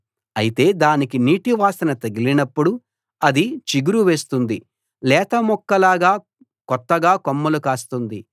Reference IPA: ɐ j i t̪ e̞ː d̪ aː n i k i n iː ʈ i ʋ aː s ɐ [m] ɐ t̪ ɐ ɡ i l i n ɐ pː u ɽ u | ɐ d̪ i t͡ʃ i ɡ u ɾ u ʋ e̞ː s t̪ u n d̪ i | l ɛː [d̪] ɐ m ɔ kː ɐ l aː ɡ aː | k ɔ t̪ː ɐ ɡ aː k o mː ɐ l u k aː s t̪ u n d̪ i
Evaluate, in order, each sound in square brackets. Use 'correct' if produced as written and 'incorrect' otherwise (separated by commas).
incorrect, incorrect